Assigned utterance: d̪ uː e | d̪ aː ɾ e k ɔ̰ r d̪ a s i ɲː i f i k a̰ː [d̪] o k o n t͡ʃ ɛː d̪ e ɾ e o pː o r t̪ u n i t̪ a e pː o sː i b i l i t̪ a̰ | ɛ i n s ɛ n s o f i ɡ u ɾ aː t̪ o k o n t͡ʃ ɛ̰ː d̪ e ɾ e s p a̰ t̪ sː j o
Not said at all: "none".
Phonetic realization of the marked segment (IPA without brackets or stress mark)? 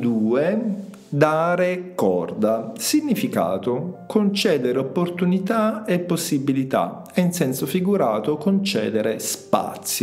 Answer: t̪